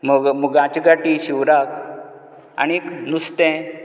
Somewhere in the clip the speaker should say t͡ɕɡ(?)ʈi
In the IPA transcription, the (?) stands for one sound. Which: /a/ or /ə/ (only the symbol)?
a